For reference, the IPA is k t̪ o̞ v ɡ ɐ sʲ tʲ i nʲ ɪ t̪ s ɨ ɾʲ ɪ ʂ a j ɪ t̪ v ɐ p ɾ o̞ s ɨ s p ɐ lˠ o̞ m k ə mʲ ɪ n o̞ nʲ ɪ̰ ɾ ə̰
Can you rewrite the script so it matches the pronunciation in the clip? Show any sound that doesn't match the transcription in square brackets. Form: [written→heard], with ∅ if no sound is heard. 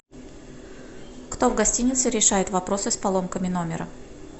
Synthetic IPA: k t̪ o̞ v ɡ ɐ sʲ tʲ i nʲ ɪ t̪ s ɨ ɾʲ ɪ ʂ a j ɪ t̪ v ɐ p ɾ o̞ s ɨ s p ɐ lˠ o̞ m k ə mʲ ɪ n o̞ [nʲ→mʲ] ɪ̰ ɾ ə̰